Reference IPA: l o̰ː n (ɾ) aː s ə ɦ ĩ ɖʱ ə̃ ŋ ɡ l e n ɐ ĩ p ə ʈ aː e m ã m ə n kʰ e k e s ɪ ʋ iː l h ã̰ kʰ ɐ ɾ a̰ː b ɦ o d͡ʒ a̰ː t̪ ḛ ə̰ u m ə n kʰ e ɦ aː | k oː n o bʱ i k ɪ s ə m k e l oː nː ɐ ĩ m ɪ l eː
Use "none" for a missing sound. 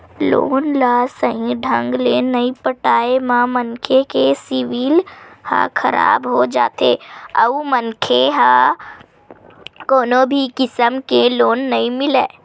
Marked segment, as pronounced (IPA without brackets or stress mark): l